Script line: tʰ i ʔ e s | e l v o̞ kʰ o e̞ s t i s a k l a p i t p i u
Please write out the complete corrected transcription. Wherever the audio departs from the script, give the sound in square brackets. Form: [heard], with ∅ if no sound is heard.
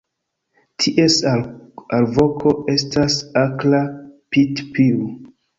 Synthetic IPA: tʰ i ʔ e s | [a] l v o̞ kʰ o e̞ s t [a] s a k l a p i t p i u